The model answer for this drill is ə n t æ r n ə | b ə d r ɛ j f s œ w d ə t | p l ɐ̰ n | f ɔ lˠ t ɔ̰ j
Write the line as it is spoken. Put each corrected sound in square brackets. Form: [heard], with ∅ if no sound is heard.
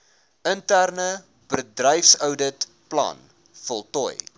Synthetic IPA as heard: ə n t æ r n ə | b ə d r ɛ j f s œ w d ə t | p l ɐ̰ n | f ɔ lˠ t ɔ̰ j